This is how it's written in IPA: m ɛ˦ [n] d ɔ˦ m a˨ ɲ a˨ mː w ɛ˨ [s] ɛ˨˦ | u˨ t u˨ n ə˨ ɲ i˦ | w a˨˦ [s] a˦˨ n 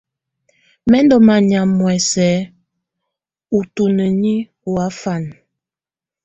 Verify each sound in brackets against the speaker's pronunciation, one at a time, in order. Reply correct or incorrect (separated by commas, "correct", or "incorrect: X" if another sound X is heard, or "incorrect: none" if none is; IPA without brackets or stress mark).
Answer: correct, correct, incorrect: f